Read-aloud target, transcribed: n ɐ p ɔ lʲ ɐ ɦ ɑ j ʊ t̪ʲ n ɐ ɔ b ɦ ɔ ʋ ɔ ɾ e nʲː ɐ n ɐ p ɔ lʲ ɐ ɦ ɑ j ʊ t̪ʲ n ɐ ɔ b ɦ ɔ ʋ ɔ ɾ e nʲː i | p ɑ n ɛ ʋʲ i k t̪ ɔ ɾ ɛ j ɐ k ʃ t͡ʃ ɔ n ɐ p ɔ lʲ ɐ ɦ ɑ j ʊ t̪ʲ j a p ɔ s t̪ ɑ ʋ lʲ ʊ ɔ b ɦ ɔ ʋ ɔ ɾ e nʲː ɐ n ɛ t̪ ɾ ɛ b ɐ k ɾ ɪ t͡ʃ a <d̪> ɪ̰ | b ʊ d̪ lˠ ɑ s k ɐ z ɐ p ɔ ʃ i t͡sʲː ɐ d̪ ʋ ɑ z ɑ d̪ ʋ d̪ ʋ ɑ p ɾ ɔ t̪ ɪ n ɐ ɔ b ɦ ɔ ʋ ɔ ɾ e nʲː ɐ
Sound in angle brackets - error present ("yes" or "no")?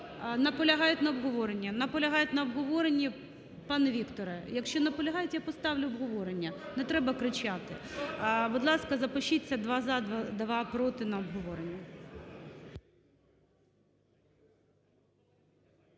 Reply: yes